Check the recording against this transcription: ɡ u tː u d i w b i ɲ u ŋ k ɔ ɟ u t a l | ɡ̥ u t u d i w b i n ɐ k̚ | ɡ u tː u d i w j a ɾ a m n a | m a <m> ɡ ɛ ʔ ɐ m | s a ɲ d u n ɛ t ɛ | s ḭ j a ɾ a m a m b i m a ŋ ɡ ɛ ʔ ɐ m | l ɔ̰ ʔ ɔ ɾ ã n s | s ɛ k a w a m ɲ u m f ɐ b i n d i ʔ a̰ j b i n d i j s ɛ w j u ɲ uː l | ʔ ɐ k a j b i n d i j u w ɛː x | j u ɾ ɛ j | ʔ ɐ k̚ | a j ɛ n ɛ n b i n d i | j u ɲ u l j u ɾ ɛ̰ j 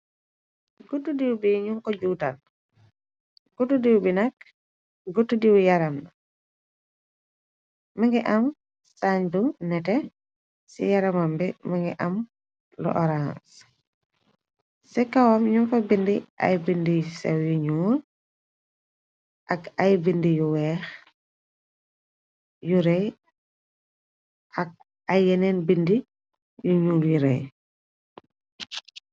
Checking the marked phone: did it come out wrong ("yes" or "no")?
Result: yes